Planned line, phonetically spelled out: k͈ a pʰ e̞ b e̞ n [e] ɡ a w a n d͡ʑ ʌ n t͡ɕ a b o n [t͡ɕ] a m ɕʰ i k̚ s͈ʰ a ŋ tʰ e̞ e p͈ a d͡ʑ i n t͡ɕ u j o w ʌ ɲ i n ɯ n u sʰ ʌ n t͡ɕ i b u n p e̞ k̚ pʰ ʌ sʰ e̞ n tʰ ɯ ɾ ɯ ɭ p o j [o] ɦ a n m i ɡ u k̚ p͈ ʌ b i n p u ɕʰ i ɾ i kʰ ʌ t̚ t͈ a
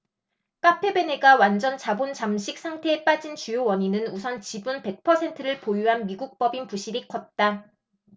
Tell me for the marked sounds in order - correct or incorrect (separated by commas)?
correct, correct, incorrect